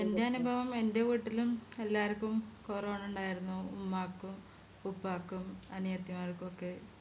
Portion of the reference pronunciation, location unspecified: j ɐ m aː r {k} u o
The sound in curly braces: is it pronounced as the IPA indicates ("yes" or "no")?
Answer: yes